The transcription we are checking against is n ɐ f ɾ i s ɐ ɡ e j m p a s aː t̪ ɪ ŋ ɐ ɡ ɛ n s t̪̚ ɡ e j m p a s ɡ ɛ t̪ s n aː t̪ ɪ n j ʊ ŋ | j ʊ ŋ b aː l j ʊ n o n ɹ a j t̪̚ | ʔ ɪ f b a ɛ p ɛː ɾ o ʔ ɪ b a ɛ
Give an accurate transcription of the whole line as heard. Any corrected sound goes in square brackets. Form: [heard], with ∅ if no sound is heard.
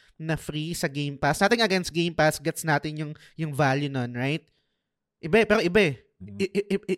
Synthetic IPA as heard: n ɐ f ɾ i s ɐ ɡ e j m p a s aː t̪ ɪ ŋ ɐ ɡ ɛ n s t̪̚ ɡ e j m p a s ɡ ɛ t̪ s n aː t̪ ɪ n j ʊ ŋ | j ʊ ŋ [v] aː l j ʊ n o n ɹ a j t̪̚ | ʔ ɪ [∅] b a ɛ p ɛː ɾ o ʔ ɪ b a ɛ